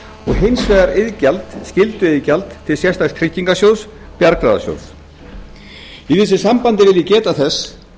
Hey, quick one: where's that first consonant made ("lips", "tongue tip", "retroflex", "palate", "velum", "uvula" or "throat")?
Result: velum